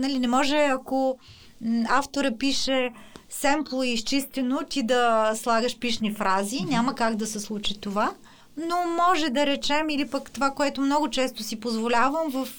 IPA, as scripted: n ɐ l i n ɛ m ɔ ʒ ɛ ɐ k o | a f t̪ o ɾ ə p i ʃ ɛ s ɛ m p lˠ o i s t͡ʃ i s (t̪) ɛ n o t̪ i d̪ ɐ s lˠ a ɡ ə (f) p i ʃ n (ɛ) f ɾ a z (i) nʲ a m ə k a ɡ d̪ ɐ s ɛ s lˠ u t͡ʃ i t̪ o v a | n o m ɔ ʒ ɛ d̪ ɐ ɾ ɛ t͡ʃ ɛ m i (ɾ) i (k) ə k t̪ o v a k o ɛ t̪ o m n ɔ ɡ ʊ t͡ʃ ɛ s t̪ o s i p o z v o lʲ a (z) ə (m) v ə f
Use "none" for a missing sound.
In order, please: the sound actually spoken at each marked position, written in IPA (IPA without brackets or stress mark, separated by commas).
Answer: t̪, ʃ, i, i, l, p, v, m